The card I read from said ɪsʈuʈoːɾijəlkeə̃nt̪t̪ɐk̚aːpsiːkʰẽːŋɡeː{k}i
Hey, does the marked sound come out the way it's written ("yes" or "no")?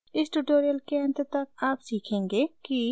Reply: yes